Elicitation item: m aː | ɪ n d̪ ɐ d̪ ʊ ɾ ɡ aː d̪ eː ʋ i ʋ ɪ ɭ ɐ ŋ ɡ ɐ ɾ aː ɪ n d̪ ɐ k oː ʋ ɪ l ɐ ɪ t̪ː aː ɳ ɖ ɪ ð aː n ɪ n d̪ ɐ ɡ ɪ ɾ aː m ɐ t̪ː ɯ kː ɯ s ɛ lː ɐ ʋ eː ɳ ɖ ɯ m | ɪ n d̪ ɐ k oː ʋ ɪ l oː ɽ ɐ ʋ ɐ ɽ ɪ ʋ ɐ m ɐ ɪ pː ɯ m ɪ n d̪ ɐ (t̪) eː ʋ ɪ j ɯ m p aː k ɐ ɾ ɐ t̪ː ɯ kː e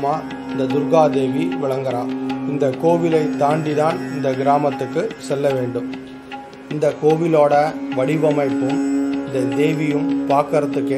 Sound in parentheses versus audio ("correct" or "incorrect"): incorrect